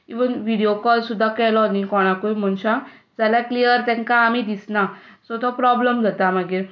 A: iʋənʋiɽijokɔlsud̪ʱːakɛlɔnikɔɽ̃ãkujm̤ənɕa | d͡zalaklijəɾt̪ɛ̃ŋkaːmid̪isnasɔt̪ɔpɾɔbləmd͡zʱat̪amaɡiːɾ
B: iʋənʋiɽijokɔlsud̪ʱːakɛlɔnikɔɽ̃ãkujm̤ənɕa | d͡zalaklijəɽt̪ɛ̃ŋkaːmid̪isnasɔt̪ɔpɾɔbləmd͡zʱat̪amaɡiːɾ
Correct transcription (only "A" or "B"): A